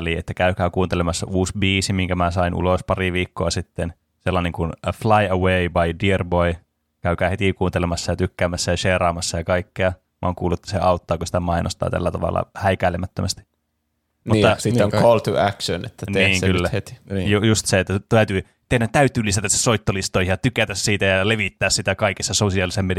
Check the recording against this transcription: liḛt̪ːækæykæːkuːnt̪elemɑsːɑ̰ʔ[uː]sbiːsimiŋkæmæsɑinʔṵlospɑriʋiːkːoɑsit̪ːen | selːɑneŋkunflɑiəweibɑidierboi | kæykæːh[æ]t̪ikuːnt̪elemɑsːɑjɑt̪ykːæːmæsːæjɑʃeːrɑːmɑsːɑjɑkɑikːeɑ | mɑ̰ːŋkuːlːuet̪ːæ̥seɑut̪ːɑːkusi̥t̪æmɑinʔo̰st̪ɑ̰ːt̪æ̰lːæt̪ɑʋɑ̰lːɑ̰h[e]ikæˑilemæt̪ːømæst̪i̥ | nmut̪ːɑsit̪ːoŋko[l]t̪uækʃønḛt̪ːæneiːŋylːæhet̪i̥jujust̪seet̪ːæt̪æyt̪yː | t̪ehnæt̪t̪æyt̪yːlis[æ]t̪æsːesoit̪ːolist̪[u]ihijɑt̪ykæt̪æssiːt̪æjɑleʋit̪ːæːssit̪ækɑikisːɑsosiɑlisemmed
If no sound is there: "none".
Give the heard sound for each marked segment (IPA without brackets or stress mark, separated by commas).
uː, e, æ, l, æ, o